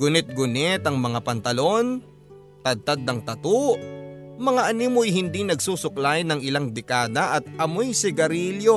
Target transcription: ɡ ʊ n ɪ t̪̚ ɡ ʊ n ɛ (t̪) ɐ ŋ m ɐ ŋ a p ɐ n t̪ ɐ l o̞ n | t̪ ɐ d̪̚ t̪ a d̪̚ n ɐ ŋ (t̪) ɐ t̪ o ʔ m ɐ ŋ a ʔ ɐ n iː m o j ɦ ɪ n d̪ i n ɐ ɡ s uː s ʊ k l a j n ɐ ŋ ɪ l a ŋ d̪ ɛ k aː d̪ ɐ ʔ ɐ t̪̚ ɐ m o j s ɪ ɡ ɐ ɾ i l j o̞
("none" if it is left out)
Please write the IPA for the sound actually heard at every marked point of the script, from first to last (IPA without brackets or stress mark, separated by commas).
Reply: t̪, t̪